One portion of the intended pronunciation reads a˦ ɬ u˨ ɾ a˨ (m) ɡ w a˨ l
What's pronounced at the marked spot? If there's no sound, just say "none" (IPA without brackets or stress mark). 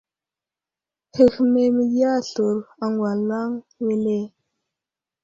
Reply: ŋ